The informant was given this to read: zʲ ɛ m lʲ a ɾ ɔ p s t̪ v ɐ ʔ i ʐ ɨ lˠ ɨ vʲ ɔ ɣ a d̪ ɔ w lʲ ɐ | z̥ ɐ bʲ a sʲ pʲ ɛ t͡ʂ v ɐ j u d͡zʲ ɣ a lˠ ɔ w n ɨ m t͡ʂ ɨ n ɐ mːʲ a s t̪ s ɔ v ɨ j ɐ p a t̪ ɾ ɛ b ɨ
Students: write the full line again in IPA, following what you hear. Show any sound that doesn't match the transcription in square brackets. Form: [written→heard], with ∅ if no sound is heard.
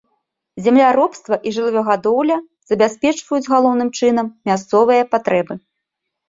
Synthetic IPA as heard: zʲ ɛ m lʲ a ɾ ɔ p s t̪ v ɐ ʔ i ʐ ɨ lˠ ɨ vʲ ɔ ɣ a d̪ ɔ w lʲ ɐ | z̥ ɐ bʲ a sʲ pʲ ɛ t͡ʂ v ɐ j u d͡zʲ ɣ a lˠ ɔ w n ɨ m t͡ʂ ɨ n ɐ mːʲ a s t̪ s ɔ v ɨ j ɐ p a t̪ ɾ ɛ b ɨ